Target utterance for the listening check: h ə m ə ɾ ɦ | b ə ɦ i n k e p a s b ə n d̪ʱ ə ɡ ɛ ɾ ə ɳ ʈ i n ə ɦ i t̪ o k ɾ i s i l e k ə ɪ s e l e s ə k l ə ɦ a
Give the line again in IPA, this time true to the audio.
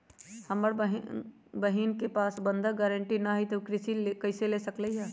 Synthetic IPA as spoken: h ə m ə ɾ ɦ | b ə ɦ i n k e p a s b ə n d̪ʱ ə ɡ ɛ ɾ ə ɳ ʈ i n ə ɦ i t̪ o k ɾ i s i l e k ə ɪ s e l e s ə k l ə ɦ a